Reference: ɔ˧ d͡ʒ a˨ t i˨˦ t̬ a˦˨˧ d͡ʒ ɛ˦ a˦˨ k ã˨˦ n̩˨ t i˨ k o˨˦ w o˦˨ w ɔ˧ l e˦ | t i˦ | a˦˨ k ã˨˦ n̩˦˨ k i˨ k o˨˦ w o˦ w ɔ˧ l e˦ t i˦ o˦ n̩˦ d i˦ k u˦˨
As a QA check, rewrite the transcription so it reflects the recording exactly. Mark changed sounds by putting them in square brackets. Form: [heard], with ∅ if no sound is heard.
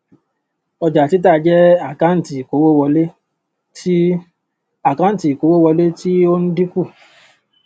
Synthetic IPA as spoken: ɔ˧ d͡ʒ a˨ t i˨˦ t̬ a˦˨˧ d͡ʒ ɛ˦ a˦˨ k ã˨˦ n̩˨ t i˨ k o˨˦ w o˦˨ w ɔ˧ l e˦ | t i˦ | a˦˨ k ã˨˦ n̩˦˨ [t] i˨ k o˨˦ w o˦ w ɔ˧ l e˦ t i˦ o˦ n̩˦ d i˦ k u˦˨